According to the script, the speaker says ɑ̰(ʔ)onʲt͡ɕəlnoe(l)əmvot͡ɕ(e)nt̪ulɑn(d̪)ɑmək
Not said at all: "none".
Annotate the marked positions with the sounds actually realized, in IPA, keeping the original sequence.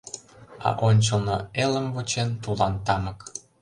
ʔ, l, e, t̪

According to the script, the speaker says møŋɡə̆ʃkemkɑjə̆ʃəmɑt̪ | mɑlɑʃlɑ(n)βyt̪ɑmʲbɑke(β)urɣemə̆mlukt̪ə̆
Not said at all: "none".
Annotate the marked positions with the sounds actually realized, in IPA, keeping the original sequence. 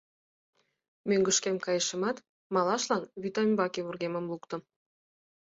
n, β

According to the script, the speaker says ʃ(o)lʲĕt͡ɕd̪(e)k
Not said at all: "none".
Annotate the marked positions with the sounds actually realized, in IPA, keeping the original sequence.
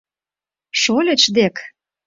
o, e

